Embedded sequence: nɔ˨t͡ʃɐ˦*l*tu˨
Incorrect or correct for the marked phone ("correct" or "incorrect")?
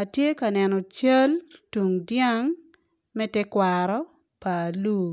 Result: correct